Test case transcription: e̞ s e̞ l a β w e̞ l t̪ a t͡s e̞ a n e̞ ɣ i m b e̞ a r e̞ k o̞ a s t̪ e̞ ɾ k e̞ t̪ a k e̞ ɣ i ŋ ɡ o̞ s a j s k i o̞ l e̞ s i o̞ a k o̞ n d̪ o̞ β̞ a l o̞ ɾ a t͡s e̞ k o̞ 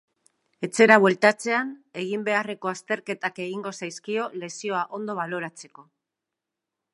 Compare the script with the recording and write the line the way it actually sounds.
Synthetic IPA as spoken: e̞ t͡s e̞ ɾ a β w e̞ l t̪ a t͡s e̞ a n e̞ ɣ i m b e̞ a r e̞ k o̞ a s t̪ e̞ ɾ k e̞ t̪ a k e̞ ɣ i ŋ ɡ o̞ s a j s k i o̞ l e̞ s i o̞ a ʔ o̞ n d̪ o̞ β̞ a l o̞ ɾ a t͡s e̞ k o̞